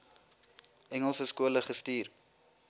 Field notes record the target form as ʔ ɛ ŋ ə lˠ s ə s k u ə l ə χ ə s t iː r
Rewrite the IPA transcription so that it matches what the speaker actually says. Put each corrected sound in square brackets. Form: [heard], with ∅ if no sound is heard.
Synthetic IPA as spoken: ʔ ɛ ŋ ə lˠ s ə s k u ə l ə χ ə s t iː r